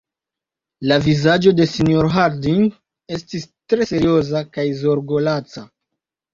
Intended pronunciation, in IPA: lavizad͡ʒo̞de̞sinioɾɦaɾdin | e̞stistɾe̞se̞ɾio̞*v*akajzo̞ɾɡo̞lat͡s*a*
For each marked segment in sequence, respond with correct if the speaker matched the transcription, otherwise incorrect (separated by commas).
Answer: incorrect, correct